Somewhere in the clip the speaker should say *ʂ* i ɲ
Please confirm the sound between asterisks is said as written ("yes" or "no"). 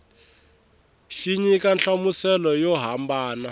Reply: no